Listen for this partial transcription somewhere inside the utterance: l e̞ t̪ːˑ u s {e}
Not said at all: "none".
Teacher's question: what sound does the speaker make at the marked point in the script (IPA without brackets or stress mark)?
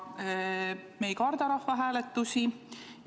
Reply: i